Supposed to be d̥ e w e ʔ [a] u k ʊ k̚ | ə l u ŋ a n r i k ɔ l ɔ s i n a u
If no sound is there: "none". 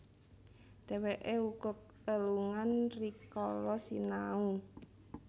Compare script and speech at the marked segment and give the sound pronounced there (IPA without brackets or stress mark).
e